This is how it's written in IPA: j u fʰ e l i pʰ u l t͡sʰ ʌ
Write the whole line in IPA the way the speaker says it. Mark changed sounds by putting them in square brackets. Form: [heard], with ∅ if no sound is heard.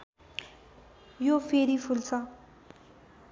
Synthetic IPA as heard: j [o] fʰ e [ɾ] i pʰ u l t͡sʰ ʌ